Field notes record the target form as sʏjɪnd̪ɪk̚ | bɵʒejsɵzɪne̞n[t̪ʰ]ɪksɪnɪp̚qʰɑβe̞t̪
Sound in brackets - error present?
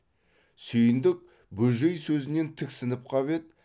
no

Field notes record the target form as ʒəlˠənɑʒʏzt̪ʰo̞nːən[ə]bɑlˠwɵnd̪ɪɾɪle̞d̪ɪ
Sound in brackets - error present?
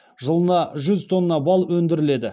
yes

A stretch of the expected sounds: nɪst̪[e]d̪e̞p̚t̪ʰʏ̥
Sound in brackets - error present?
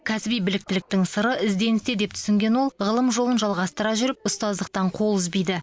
no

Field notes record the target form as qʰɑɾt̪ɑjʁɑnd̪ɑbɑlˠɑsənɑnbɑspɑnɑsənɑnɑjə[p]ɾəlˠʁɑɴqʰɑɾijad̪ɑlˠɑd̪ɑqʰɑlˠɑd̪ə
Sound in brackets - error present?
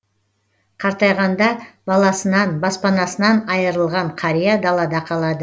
yes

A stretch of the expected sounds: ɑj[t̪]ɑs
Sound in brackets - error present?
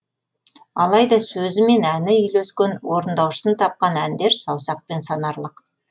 yes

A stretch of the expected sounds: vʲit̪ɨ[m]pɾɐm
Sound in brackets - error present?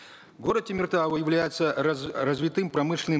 no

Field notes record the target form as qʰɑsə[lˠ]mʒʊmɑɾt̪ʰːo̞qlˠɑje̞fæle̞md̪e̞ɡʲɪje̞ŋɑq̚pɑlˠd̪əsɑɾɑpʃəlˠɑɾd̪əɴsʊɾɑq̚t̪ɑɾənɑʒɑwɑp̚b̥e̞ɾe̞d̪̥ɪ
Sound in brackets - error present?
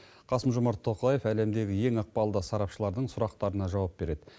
yes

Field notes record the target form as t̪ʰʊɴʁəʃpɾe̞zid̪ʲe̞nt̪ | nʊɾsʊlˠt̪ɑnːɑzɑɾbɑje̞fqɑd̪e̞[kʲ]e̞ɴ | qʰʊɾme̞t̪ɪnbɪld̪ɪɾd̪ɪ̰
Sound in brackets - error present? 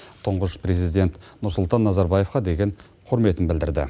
yes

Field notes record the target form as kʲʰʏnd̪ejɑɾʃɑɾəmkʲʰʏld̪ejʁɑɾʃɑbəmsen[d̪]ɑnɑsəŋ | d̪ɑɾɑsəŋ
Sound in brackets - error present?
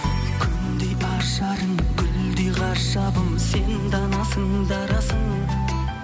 no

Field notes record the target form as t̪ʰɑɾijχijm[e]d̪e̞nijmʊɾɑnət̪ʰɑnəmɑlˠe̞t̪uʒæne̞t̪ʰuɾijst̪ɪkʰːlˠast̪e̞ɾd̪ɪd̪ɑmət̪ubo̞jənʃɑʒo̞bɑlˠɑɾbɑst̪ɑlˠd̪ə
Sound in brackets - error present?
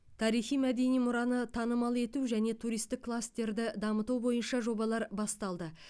yes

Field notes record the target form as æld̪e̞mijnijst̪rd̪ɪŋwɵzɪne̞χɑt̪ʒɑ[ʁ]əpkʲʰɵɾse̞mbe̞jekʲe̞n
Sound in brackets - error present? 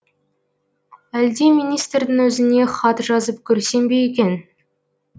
yes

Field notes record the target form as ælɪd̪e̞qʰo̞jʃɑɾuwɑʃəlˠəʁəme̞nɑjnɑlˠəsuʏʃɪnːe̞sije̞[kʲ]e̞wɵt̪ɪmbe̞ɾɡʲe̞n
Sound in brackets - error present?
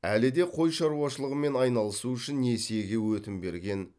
yes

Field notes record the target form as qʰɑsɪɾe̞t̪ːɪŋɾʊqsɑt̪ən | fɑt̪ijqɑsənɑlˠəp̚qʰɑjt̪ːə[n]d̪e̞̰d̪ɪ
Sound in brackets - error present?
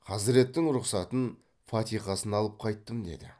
yes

